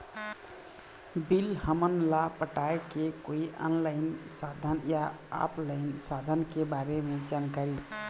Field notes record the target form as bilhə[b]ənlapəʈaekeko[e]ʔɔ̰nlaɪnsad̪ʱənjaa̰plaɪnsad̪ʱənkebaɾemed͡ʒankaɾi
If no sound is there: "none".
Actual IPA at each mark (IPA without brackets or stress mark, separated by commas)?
m, i